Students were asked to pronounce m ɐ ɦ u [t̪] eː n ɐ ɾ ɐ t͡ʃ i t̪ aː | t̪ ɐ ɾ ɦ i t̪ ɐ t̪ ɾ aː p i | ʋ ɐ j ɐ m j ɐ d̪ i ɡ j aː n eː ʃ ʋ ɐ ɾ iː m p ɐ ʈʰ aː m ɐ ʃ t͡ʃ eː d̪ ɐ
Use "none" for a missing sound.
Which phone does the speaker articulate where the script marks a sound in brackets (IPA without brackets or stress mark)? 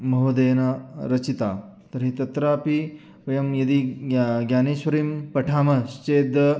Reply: d̪